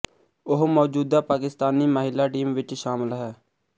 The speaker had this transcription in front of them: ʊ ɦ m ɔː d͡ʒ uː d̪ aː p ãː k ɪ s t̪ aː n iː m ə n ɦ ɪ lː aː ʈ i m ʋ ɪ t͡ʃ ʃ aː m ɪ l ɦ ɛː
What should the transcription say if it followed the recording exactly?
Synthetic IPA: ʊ ɦ m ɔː d͡ʒ uː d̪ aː p aː k ɪ s t̪ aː n iː m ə ɦ ɪ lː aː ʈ iː m ʋ ɪ t͡ʃ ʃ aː m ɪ l ɦ ɛː